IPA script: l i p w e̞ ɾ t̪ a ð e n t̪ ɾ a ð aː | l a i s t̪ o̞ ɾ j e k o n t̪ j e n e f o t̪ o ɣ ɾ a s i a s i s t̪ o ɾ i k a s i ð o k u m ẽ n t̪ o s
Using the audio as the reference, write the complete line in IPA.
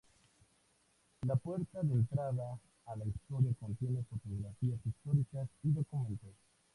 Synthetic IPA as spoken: l a p w e̞ ɾ t̪ a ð e n t̪ ɾ a ð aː | l a i s t̪ o̞ ɾ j a k o n t̪ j e n e f o t̪ o ɣ ɾ a f i a s i s t̪ o ɾ i k a s i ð o k u m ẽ n t̪ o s